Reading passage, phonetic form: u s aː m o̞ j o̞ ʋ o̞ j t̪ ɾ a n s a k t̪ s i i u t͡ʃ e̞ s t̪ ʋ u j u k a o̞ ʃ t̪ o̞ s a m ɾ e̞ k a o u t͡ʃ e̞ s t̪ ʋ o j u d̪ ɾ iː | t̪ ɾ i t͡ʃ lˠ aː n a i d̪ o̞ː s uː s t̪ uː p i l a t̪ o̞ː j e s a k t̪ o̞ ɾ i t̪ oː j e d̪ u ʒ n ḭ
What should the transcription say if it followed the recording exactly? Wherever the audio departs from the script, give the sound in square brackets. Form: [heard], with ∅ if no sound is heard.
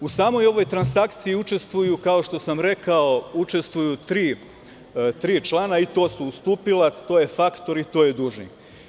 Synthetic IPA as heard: u s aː m o̞ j o̞ ʋ o̞ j t̪ ɾ a n s a k t̪ s i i u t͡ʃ e̞ s t̪ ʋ u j u k a o̞ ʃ t̪ o̞ s a m ɾ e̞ k a o u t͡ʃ e̞ s t̪ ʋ [u] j u [t̪] ɾ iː | t̪ ɾ [iː] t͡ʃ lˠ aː n a i [t̪] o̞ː s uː s t̪ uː p i l a t̪ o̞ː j e [f] a k t̪ o̞ ɾ i t̪ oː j e d̪ u ʒ n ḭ

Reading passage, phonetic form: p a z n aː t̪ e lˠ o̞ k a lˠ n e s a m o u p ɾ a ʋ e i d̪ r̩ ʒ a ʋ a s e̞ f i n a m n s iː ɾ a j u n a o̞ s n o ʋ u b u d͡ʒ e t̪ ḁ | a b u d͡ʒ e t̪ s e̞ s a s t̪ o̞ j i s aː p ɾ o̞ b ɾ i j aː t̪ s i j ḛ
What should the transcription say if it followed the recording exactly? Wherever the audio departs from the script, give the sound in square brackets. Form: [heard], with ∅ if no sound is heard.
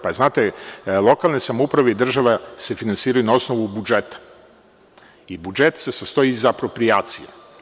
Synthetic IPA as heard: p a z n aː t̪ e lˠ o̞ k a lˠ n e s a m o u p ɾ a ʋ e i d̪ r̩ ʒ a ʋ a s e̞ f i n a [∅] n s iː ɾ a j u n a o̞ s n o ʋ u b u d͡ʒ e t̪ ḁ | [i] b u d͡ʒ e t̪ s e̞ s a s t̪ o̞ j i [z] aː p ɾ o̞ [p] ɾ i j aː t̪ s i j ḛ

